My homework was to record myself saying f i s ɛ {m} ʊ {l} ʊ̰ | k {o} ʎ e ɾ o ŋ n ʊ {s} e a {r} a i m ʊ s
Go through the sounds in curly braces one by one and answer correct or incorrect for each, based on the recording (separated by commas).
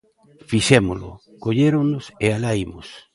correct, correct, correct, correct, incorrect